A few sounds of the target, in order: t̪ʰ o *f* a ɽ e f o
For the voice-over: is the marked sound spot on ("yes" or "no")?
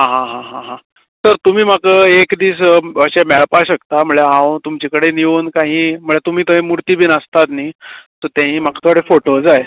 no